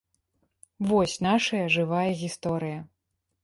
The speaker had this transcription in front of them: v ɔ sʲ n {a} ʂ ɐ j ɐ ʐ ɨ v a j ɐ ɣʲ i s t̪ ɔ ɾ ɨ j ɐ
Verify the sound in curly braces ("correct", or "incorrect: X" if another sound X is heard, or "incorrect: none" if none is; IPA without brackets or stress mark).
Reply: correct